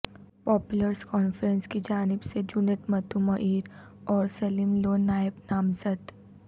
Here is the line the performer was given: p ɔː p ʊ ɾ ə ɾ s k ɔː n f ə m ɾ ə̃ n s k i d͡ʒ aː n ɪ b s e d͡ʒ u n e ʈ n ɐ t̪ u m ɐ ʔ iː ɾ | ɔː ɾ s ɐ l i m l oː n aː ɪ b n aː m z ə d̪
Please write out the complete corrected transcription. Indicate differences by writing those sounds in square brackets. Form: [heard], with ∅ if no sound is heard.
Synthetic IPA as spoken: p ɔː p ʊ [l] ə ɾ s k ɔː n f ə [∅] ɾ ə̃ n s k i d͡ʒ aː n ɪ b s e d͡ʒ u n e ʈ [m] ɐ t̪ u m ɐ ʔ iː ɾ | ɔː ɾ s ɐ l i m l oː n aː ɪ b n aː m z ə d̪

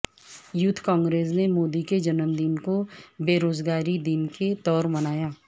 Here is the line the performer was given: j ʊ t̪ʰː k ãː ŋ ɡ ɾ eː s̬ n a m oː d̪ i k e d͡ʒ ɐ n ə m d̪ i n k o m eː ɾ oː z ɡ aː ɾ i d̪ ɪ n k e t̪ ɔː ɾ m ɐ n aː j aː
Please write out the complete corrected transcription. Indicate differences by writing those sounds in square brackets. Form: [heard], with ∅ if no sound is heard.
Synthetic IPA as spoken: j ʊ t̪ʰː k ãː ŋ ɡ ɾ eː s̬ n [e] m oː d̪ i k e d͡ʒ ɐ n ə m d̪ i n k o [b] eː ɾ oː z ɡ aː ɾ i d̪ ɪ n k e t̪ ɔː ɾ m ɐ n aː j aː

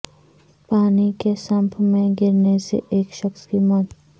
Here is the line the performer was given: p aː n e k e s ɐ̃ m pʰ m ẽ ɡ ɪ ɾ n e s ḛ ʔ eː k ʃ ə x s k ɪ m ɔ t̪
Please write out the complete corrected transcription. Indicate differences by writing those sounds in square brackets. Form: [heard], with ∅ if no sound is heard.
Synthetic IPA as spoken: p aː n [i] k e s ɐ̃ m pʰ m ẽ ɡ ɪ ɾ n e s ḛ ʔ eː k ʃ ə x s k [i] m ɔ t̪

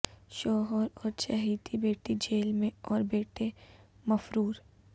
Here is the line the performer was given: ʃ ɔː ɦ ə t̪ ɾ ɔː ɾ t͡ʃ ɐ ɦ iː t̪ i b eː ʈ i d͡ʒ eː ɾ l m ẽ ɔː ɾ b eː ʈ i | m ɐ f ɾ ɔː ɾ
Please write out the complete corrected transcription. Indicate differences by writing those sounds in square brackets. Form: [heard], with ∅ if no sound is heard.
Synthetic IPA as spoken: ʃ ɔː ɦ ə [∅] ɾ ɔː ɾ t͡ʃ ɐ ɦ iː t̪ i b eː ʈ i d͡ʒ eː [∅] l m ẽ ɔː ɾ b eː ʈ [e] | m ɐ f ɾ [uː] ɾ

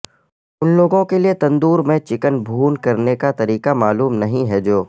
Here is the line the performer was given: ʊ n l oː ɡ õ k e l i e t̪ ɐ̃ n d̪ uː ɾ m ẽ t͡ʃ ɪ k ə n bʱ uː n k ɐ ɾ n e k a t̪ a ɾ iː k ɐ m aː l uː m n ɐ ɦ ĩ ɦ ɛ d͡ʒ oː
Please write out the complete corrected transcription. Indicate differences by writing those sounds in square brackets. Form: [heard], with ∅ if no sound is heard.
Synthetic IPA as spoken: ʊ n l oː ɡ õ k e l i e t̪ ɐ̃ n d̪ uː ɾ m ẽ t͡ʃ ɪ k ə n bʱ uː n k ɐ ɾ n e k a t̪ [ɐ] ɾ iː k [a] m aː l uː m n ɐ ɦ ĩ ɦ ɛ d͡ʒ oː

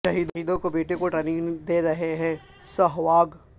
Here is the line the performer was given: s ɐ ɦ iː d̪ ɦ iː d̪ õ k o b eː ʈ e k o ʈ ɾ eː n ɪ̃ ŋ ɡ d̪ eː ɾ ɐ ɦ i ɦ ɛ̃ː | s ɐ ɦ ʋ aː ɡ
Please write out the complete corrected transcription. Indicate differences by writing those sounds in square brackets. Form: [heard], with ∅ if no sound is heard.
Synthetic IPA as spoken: [ʃ] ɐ ɦ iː d̪ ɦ iː d̪ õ k o b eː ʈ e k o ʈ ɾ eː n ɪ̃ ŋ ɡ d̪ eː ɾ ɐ ɦ [e] ɦ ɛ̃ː | s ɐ ɦ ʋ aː ɡ

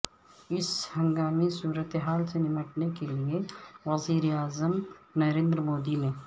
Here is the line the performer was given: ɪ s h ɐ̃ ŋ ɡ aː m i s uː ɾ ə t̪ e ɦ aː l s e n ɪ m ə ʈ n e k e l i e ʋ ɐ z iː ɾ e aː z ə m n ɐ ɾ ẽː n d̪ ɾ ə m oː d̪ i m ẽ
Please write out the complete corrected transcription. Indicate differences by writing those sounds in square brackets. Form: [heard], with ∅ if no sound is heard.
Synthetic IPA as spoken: ɪ s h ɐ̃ ŋ ɡ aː m i s uː ɾ ə t̪ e ɦ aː l s e n ɪ m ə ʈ n e k e l i e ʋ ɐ z iː ɾ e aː z ə m n ɐ ɾ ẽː n d̪ ɾ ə m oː d̪ i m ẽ

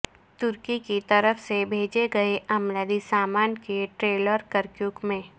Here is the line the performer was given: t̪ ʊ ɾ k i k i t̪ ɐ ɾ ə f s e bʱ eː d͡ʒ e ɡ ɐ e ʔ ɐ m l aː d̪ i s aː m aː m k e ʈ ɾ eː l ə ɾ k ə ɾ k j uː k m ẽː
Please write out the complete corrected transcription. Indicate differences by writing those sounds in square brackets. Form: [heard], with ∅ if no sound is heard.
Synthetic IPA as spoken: t̪ ʊ ɾ k i k i t̪ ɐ ɾ ə f s e bʱ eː d͡ʒ e ɡ ɐ e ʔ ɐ m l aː d̪ i s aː m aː [n] k e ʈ ɾ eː l ə ɾ k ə ɾ k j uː k m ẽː

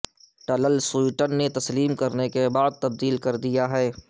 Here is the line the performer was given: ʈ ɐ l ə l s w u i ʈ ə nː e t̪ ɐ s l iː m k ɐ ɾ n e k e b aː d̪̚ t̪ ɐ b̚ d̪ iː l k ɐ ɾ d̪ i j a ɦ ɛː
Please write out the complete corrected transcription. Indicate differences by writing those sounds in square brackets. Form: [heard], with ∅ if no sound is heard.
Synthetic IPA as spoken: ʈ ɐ l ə l s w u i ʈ ə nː e t̪ ɐ s l iː m k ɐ ɾ n e k e b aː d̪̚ t̪ ɐ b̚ d̪ iː l k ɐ ɾ d̪ i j a ɦ ɛː

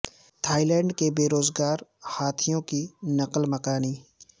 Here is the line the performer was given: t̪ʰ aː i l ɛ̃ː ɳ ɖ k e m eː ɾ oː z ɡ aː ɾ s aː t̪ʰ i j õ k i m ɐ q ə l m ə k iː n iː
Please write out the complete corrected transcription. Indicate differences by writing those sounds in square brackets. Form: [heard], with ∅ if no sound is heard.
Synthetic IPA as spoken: t̪ʰ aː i l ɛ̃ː ɳ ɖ k e [b] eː ɾ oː z ɡ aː ɾ [h] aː t̪ʰ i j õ k i [n] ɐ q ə l m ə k [aː] n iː

